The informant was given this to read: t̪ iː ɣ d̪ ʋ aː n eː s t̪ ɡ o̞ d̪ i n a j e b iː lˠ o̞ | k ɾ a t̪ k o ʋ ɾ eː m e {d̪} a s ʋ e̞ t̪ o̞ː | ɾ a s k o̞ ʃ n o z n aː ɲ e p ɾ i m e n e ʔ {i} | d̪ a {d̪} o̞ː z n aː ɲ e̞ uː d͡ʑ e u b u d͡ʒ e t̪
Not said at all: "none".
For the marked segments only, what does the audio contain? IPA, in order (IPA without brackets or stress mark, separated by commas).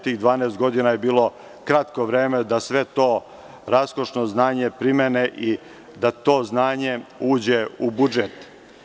d̪, i, t̪